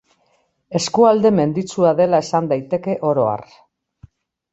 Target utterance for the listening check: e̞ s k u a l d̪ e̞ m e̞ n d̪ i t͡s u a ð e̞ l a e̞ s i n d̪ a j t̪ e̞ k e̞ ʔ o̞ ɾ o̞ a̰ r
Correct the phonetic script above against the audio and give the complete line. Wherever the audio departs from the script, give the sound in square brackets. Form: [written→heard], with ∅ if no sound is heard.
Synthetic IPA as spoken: e̞ s k u a l d̪ e̞ m e̞ n d̪ i t͡s u a ð e̞ l a e̞ s [i→a] n d̪ a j t̪ e̞ k e̞ ʔ o̞ ɾ o̞ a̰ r